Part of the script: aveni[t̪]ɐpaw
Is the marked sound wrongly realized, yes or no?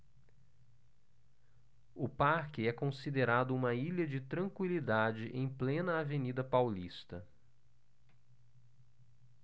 yes